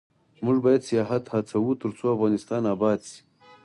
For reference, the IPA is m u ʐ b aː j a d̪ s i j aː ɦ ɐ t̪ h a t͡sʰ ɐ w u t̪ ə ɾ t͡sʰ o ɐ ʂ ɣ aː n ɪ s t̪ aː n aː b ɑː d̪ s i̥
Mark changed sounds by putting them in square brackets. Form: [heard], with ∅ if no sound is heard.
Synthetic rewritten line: m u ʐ b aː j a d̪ s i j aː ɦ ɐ t̪ h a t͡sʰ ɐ w u t̪ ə ɾ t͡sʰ o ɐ [f] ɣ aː n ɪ s t̪ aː n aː b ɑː d̪ s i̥